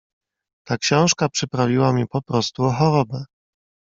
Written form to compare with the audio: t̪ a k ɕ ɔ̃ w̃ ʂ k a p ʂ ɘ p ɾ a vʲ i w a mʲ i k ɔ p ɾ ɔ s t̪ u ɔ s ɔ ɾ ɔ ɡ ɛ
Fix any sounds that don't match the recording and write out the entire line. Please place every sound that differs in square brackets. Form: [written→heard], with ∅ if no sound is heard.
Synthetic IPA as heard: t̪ a k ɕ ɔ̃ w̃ ʂ k a p ʂ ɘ p ɾ a vʲ i w a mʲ i [k→p] ɔ p ɾ ɔ s t̪ u ɔ [s→x] ɔ ɾ ɔ [ɡ→b] ɛ